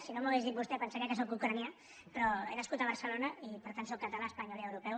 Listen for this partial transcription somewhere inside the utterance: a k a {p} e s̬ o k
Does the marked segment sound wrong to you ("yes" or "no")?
yes